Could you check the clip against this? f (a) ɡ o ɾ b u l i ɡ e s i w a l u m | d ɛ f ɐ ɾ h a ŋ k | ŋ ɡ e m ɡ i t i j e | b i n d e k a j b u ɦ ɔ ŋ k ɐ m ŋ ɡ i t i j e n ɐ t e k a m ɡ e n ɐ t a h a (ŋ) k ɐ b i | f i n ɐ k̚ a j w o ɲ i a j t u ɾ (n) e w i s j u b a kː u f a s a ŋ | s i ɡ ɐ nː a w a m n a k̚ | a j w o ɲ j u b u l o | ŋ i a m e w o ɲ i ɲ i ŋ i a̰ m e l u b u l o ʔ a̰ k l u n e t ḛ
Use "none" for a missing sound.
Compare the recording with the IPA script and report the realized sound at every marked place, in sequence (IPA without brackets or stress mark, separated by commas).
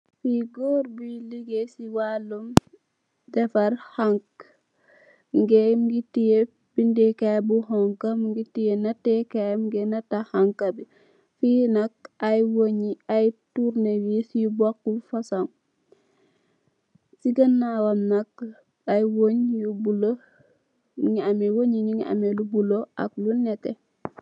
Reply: i, ŋ, n